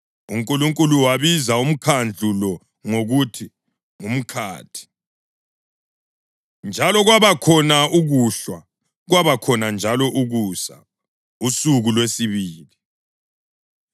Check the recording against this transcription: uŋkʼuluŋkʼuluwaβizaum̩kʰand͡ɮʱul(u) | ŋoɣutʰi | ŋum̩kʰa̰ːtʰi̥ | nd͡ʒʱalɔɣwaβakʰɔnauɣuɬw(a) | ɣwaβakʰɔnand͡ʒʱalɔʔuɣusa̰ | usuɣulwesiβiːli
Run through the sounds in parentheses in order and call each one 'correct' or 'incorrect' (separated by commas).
incorrect, correct